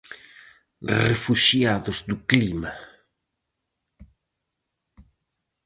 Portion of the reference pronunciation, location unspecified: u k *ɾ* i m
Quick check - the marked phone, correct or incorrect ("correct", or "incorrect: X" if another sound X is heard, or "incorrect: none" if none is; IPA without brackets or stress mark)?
incorrect: l